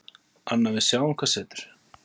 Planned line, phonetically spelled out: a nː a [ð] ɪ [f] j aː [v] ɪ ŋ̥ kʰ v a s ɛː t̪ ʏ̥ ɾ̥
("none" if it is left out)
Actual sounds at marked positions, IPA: v, s, w

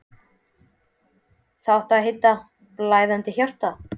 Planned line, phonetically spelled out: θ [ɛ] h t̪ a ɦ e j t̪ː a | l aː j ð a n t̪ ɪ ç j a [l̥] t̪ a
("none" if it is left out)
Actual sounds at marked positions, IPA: a, r̥

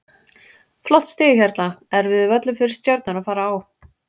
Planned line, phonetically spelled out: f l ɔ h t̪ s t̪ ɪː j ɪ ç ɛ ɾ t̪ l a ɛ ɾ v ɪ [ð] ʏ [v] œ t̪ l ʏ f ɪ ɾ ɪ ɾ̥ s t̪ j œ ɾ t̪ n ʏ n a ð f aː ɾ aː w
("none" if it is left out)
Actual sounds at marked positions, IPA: ð, v

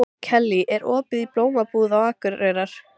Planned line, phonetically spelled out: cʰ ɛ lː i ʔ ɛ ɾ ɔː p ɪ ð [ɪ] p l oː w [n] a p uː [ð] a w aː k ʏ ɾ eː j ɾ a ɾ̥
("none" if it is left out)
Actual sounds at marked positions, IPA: i, m, ð

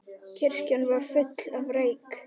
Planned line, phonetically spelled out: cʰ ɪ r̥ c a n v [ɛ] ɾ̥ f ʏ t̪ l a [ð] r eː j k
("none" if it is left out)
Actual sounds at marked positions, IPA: a, v

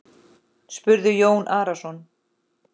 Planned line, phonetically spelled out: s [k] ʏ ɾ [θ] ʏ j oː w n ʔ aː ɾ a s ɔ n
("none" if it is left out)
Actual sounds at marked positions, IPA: p, ð

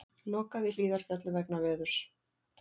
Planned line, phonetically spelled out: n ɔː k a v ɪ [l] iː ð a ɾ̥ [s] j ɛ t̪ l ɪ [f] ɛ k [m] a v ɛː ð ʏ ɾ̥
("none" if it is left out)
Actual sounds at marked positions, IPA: l, f, v, n

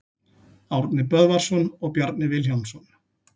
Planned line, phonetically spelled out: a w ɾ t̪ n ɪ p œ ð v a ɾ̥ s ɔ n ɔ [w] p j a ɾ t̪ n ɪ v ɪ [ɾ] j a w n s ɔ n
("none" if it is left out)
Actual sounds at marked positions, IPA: ɣ, l

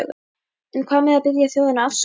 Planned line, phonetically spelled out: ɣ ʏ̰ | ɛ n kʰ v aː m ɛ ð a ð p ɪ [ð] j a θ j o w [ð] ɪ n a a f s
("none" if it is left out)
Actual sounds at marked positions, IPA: ð, ð

